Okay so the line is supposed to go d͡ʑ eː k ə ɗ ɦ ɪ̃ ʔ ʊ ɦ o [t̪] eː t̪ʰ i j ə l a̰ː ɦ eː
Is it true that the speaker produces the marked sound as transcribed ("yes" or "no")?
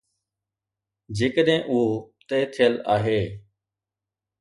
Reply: yes